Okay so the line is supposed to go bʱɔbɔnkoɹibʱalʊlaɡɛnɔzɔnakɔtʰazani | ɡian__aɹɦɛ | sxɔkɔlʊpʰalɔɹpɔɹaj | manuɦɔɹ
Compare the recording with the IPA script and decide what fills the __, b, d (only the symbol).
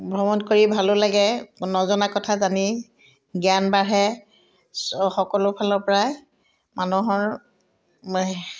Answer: b